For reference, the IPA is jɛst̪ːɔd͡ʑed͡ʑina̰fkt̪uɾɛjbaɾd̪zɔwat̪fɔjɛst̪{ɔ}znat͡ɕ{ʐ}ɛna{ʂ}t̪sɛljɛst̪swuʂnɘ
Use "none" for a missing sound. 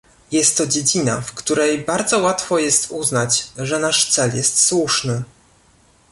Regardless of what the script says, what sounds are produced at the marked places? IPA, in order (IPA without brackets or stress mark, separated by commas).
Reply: u, ʐ, ʂ